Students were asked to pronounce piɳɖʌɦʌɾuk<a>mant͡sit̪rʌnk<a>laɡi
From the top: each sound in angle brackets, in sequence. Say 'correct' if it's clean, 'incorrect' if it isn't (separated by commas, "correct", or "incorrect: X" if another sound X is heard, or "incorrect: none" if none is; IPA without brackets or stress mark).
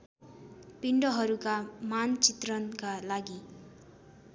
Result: correct, correct